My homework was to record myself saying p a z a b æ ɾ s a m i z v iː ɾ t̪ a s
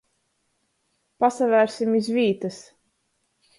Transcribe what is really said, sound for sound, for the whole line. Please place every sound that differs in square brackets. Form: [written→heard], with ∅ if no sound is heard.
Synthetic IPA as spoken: p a [z→s] a [b→v] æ ɾ s [a→i] m i z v iː [ɾ→∅] t̪ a s